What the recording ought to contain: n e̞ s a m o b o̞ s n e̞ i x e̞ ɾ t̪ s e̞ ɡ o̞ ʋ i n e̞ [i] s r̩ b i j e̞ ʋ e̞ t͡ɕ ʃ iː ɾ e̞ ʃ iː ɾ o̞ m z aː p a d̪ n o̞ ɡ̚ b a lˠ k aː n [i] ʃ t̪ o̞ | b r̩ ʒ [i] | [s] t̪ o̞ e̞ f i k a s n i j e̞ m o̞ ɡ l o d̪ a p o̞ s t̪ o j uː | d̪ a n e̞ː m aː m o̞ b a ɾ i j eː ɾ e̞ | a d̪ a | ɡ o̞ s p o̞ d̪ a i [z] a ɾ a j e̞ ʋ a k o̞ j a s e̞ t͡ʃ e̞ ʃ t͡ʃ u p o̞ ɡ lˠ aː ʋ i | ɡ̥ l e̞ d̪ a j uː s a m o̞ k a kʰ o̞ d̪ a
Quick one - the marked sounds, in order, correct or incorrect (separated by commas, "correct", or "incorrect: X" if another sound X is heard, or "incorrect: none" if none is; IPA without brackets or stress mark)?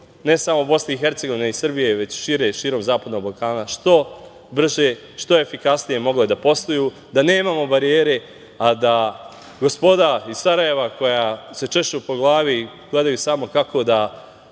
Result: correct, incorrect: a, incorrect: e, incorrect: ʃ, incorrect: s